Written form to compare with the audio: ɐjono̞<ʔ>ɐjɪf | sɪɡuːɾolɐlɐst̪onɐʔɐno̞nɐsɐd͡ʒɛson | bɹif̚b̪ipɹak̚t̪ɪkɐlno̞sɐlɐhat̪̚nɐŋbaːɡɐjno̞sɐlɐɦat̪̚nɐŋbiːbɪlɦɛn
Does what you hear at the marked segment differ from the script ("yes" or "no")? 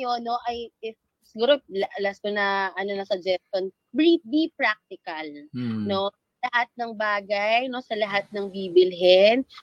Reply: no